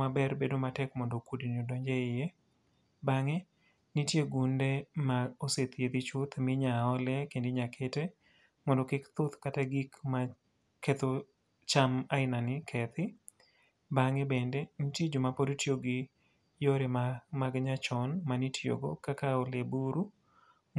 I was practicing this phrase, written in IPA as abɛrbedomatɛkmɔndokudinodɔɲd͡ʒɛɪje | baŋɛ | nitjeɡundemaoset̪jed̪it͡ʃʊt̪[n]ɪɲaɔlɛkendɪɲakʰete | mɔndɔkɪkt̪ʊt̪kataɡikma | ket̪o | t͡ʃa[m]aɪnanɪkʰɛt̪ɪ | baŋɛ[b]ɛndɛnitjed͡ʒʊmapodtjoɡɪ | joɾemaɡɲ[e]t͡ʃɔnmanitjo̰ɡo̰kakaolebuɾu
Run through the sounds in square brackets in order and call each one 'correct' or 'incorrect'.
incorrect: m, correct, correct, incorrect: a

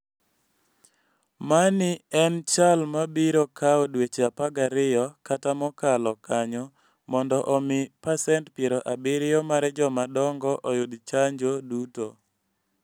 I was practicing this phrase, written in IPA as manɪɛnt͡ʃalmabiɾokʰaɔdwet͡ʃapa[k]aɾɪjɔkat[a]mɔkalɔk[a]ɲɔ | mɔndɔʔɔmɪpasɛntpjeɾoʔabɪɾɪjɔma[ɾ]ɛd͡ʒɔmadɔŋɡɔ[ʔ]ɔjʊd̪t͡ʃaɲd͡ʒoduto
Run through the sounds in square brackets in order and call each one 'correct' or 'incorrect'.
incorrect: ɡ, correct, correct, correct, correct

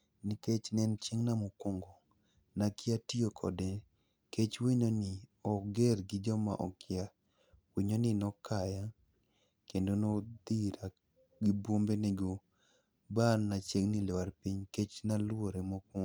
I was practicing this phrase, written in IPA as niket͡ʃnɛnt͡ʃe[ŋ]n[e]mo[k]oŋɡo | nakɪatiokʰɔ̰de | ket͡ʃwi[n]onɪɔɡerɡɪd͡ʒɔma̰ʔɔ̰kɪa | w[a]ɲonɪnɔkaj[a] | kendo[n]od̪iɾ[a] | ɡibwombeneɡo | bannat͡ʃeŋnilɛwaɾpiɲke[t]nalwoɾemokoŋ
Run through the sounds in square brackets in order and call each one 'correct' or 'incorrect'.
correct, incorrect: a, correct, incorrect: ɲ, incorrect: i, correct, correct, correct, incorrect: t͡ʃ

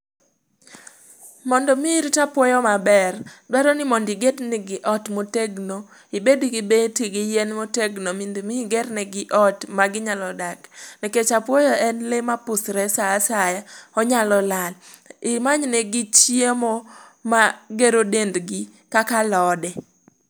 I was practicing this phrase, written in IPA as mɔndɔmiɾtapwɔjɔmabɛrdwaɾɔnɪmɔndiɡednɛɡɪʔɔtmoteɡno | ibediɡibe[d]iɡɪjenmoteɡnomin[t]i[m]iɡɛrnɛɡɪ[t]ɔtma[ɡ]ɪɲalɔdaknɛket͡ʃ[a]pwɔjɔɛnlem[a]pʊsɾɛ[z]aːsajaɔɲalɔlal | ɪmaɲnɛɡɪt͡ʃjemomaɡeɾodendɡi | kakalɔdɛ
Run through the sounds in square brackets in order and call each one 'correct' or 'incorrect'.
incorrect: t, incorrect: d, correct, incorrect: ʔ, correct, correct, correct, incorrect: s

